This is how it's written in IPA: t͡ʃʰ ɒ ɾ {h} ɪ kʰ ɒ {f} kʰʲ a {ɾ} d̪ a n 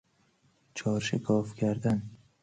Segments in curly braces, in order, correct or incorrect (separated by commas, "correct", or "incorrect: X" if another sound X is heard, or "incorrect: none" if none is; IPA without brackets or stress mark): incorrect: ʃ, correct, correct